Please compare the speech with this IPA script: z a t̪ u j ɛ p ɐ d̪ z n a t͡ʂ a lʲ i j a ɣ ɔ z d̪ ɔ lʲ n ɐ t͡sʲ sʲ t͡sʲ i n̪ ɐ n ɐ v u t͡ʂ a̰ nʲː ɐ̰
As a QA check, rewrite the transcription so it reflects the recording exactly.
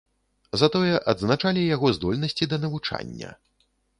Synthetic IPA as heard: z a t̪ ɔ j ɛ ʔ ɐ d̪ z n a t͡ʂ a lʲ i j a ɣ ɔ z d̪ ɔ lʲ n ɐ sʲ t͡sʲ i d̪ ɐ n ɐ v u t͡ʂ a̰ nʲː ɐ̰